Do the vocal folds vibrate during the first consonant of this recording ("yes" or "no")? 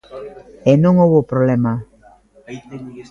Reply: yes